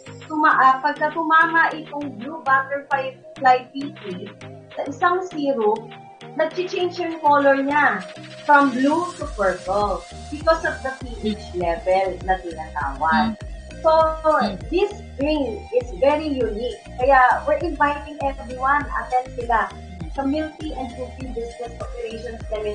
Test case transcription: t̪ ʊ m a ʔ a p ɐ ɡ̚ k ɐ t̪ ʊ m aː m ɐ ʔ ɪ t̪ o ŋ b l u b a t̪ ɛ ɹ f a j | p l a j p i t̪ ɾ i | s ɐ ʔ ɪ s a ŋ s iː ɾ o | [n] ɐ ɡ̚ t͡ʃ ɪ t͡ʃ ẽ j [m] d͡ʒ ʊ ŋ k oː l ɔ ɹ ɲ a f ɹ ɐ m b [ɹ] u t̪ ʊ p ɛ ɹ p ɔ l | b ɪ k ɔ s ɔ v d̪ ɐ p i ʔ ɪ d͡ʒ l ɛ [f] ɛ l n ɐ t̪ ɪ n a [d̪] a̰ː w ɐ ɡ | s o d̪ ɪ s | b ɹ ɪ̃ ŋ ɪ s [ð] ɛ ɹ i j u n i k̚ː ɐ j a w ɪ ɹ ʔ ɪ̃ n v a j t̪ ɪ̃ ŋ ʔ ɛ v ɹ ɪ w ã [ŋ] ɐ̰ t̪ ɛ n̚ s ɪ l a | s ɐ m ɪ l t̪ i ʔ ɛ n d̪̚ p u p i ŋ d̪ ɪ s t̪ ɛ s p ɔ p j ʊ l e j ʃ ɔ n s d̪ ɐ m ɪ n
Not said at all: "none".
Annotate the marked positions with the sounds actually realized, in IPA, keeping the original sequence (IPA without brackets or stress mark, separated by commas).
n, n, l, v, t̪, v, n